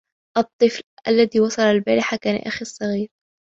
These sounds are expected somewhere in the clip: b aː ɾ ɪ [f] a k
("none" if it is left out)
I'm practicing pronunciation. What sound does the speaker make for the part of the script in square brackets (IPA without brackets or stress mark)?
ħ